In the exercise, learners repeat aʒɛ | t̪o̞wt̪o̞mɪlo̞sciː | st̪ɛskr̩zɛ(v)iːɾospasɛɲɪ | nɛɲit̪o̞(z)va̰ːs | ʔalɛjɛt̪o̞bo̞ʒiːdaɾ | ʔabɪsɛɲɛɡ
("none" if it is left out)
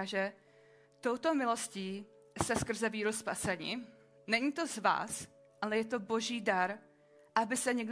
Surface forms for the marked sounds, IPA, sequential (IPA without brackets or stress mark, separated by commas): v, z